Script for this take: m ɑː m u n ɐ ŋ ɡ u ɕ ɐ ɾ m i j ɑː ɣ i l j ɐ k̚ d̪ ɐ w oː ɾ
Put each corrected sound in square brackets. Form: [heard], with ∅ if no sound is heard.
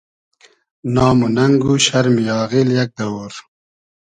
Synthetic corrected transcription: [n] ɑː m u n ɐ ŋ ɡ u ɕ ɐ ɾ m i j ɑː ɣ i l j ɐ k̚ d̪ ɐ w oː ɾ